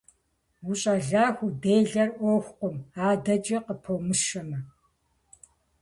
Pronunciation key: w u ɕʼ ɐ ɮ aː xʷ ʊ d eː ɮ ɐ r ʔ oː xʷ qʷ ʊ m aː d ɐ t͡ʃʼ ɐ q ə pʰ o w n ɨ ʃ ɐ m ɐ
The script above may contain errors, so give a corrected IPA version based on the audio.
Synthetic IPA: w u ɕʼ ɐ ɮ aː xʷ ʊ d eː ɮ ɐ r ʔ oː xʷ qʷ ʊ m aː d ɐ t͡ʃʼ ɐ q ə pʰ o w m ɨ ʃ ɐ m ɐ